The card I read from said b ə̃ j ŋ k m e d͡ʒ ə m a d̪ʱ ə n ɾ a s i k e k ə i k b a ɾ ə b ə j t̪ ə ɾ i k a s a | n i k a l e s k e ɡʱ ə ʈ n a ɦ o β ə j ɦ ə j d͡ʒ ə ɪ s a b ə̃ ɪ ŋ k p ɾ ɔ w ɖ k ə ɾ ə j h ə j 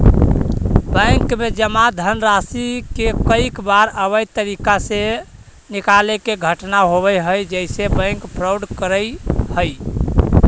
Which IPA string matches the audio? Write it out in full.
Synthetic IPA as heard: b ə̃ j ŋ k m e d͡ʒ ə m a d̪ʱ ə n ɾ a s i k e k ə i k b a ɾ ə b ə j t̪ ə ɾ i k a s e | n i k a l e k e ɡʱ ə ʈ n a ɦ o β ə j ɦ ə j d͡ʒ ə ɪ s e b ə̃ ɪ ŋ k p ɾ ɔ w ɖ k ə ɾ ə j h ə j